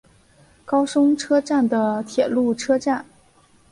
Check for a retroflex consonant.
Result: present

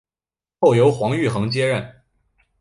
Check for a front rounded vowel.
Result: present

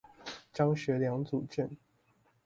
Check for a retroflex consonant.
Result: absent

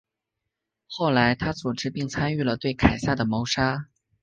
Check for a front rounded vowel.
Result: present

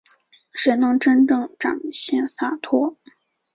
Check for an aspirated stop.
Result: present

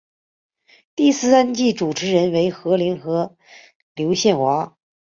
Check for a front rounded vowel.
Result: absent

